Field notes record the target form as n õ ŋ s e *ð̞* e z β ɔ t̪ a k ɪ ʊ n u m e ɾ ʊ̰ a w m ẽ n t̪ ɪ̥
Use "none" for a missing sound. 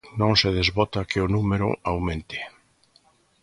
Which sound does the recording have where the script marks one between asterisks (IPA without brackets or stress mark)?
ð̞